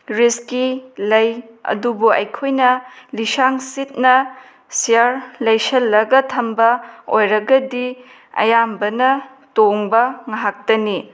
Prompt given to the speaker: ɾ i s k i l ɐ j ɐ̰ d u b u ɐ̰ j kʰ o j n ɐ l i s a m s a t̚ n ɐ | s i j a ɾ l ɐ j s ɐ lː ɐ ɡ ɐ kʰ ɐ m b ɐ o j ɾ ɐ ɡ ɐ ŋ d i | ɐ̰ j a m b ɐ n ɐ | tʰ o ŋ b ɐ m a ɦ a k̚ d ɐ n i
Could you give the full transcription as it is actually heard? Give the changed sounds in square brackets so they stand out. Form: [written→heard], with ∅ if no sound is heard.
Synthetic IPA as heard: ɾ i s k i l ɐ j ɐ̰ d u b u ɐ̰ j kʰ o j n ɐ l i s a [m→ŋ] s [a→i] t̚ n ɐ | s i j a ɾ l ɐ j s ɐ lː ɐ ɡ ɐ [kʰ→tʰ] ɐ m b ɐ o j ɾ ɐ ɡ ɐ [ŋ→∅] d i | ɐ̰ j a m b ɐ n ɐ | [tʰ→t] o ŋ b ɐ [m→ŋ] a ɦ a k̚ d ɐ n i